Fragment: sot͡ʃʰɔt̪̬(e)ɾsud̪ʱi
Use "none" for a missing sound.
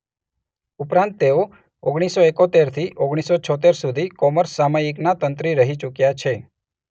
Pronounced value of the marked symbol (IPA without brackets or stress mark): e